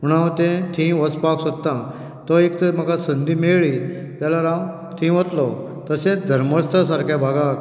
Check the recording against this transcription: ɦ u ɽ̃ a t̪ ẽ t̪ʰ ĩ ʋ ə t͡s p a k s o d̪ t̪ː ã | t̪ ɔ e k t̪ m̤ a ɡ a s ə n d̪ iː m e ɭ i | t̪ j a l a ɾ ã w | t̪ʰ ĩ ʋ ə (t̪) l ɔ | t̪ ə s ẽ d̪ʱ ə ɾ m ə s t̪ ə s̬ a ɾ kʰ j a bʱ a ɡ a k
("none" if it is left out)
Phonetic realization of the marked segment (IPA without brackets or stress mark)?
t̪